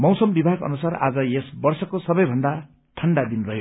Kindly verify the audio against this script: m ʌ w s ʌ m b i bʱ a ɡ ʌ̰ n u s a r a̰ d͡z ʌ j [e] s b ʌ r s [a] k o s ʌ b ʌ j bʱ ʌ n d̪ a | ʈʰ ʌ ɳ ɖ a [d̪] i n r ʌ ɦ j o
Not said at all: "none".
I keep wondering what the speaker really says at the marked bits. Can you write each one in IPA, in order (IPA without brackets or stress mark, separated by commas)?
e, ʌ, d̪